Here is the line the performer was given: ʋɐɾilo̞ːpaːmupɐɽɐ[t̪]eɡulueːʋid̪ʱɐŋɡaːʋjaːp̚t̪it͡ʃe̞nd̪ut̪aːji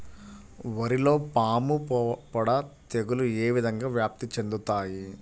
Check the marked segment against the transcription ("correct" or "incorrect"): correct